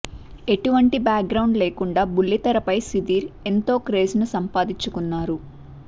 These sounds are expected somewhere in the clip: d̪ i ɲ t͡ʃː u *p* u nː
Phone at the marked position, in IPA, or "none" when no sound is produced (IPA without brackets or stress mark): k